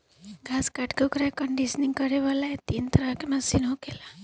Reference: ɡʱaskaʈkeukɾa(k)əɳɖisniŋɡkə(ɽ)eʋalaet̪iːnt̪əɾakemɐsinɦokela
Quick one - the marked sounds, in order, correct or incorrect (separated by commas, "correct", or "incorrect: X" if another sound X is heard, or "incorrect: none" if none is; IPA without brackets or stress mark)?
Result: correct, incorrect: ɾ